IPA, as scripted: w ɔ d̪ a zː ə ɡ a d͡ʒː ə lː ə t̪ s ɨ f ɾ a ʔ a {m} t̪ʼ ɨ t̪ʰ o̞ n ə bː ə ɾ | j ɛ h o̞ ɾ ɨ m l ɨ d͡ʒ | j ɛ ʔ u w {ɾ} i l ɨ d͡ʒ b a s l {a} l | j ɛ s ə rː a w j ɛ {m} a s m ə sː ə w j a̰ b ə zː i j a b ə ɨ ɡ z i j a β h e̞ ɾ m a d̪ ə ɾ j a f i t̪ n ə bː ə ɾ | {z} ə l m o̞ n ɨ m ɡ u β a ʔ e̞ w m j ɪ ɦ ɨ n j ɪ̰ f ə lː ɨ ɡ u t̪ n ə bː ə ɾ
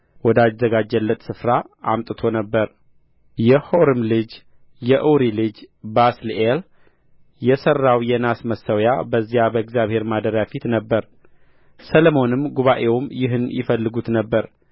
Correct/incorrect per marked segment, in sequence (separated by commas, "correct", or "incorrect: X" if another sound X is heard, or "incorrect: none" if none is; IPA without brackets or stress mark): correct, correct, incorrect: e, incorrect: n, incorrect: s